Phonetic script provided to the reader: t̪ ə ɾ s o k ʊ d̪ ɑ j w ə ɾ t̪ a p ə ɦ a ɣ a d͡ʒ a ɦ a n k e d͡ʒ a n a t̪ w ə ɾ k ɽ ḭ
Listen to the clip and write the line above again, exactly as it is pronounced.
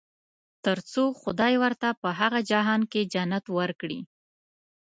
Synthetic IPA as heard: t̪ ə ɾ t͡s o x ʊ d̪ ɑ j w ə ɾ t̪ a p ə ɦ a ɣ a d͡ʒ a ɦ ɑ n k e d͡ʒ a n a t̪ w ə ɾ k ɽ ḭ